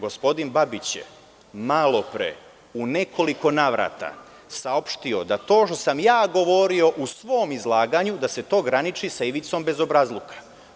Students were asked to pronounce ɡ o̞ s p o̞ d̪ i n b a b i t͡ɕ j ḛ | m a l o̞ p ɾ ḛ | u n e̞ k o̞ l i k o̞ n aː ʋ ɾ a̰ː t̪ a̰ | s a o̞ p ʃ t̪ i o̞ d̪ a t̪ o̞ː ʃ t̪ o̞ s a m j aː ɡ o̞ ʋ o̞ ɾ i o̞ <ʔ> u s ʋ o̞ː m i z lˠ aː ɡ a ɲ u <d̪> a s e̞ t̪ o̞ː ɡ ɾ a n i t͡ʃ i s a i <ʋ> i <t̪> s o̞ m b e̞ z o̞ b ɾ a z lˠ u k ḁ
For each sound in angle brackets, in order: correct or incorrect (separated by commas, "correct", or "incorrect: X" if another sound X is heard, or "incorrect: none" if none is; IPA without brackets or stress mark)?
correct, correct, correct, correct